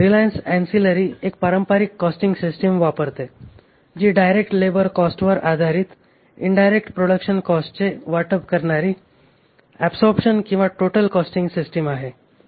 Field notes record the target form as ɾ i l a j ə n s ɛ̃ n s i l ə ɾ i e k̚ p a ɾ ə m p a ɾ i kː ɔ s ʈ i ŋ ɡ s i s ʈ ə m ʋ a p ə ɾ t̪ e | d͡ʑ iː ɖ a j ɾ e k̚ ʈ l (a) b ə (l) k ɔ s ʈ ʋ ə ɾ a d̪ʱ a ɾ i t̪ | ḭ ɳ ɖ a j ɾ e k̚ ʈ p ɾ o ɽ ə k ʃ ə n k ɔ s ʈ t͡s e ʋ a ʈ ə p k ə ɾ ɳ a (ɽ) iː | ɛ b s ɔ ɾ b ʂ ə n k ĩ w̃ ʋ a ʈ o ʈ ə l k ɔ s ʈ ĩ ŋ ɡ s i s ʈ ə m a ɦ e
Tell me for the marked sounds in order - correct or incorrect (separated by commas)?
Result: incorrect, incorrect, incorrect